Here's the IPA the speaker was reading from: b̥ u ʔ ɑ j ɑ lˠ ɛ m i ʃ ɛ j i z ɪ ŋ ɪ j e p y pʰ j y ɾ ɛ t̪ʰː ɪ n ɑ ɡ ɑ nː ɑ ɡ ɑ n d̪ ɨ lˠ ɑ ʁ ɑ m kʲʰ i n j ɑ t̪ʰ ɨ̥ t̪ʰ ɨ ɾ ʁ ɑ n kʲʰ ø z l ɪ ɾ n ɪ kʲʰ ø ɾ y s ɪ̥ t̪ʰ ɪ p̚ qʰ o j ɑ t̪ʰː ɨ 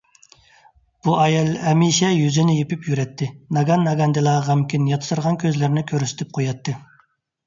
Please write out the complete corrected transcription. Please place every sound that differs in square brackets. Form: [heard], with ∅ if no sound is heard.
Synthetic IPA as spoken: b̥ u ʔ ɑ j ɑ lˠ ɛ m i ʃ ɛ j [y] z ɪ [n] ɪ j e p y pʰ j y ɾ ɛ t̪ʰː ɪ n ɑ ɡ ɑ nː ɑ ɡ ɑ n d̪ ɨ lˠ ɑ ʁ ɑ m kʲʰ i n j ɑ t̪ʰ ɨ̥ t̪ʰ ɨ ɾ ʁ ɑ n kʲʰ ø z l ɪ ɾ n ɪ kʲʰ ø ɾ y s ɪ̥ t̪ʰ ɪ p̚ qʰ o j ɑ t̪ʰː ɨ